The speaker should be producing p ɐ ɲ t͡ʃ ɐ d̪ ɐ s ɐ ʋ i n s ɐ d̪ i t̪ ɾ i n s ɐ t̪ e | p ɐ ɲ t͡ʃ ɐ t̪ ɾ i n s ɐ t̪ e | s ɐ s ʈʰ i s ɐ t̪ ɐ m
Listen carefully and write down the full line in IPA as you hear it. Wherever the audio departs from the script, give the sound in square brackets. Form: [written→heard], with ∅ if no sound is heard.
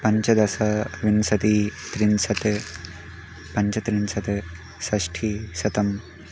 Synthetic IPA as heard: p ɐ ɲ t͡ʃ ɐ d̪ ɐ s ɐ ʋ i n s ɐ [d̪→t̪] i t̪ ɾ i n s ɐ t̪ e | p ɐ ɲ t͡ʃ ɐ t̪ ɾ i n s ɐ t̪ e | s ɐ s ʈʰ i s ɐ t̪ ɐ m